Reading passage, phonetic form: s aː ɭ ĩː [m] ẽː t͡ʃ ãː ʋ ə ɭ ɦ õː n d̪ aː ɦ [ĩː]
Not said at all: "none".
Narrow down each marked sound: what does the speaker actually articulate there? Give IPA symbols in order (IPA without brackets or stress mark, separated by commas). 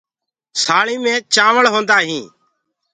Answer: m, ĩː